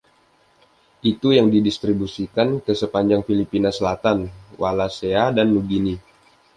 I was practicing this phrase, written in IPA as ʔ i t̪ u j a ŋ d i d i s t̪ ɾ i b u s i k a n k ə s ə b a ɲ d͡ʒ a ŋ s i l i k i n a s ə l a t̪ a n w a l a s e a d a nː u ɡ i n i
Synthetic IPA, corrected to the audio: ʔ i t̪ u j a ŋ d i d i s t̪ ɾ i b u s i k a n k ə s ə p a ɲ d͡ʒ a ŋ f i l i p i n a s ə l a t̪ a n w a l a s e a d a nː u ɡ i n i